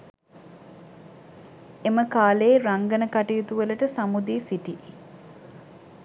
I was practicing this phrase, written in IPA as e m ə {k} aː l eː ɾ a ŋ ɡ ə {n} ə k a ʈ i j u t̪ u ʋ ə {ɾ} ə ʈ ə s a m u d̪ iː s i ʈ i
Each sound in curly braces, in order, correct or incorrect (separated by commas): correct, correct, incorrect